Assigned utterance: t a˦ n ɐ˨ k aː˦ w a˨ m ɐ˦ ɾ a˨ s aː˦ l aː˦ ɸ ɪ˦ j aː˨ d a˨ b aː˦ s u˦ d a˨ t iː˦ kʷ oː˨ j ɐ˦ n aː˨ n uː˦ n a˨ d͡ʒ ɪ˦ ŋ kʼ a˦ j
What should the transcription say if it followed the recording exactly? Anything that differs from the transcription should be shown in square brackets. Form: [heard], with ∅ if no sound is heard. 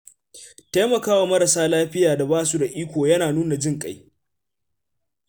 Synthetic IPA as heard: t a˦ [m] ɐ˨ k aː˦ w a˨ m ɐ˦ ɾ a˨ s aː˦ l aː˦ ɸ ɪ˦ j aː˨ d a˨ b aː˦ s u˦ d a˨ [ʔ] iː˦ kʷ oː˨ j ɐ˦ n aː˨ n uː˦ n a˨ d͡ʒ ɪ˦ ŋ kʼ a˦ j